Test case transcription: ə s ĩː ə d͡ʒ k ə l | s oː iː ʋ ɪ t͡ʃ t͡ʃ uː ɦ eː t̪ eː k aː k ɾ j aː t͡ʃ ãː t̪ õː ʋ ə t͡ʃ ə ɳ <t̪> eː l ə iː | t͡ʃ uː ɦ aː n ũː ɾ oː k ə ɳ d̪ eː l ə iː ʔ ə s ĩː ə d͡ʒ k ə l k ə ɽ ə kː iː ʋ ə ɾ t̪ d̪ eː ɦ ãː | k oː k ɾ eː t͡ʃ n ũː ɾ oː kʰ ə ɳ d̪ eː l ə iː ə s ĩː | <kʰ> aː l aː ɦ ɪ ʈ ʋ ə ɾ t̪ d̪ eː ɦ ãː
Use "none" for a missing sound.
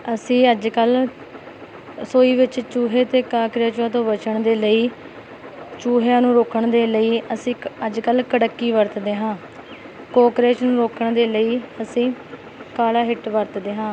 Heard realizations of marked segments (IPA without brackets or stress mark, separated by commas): d̪, k